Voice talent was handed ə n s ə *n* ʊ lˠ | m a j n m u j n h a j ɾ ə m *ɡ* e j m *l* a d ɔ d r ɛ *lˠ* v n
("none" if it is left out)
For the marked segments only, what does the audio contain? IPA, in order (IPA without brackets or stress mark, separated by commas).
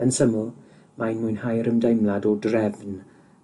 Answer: m, d, l, none